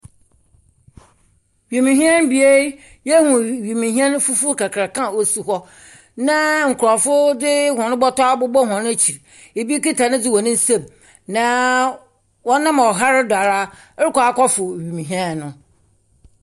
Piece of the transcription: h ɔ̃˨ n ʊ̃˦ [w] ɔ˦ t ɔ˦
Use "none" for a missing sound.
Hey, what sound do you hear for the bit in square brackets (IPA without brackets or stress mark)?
b